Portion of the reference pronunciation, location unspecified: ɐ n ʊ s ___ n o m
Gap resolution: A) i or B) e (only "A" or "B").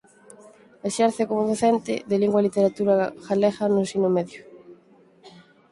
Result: A